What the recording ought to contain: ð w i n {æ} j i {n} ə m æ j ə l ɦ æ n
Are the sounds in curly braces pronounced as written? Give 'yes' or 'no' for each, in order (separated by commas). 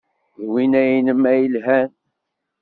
yes, yes